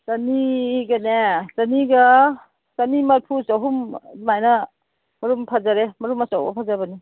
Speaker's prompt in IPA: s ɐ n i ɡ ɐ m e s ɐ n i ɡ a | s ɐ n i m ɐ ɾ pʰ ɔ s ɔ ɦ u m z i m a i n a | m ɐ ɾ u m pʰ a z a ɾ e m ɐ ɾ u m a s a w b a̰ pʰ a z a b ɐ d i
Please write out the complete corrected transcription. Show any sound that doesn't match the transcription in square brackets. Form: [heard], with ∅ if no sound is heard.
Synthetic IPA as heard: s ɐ n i ɡ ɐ [n] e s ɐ n i ɡ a | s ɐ n i m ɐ ɾ pʰ [u] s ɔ ɦ u m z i m a [j] n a | m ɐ ɾ u m pʰ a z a ɾ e m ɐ ɾ u m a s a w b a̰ pʰ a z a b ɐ [n] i